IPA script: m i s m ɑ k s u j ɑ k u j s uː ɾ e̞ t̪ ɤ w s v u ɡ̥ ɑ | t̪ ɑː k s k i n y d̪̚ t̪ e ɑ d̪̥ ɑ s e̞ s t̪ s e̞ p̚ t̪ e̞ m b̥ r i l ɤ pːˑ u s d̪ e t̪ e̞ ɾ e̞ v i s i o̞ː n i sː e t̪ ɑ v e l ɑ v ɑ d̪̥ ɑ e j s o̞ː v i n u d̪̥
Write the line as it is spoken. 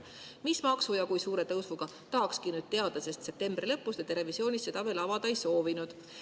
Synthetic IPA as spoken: m i s m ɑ k s u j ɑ k u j s uː ɾ e̞ t̪ ɤ w s v u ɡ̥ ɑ | t̪ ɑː k s k i n y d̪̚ t̪ e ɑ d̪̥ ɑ s e̞ s t̪ s e̞ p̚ t̪ e̞ m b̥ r i l ɤ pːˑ u s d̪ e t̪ e̞ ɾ e̞ v i s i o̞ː n i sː e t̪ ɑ v e l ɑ v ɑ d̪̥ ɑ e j s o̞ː v i n u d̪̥